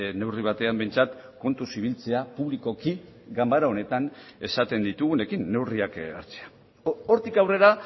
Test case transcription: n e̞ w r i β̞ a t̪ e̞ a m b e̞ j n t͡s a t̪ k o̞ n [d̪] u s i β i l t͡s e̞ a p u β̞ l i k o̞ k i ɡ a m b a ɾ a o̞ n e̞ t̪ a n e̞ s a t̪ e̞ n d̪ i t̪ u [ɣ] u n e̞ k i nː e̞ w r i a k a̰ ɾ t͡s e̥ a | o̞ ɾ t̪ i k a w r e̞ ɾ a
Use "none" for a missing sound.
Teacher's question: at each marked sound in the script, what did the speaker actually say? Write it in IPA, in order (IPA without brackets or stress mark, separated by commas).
t̪, ɣ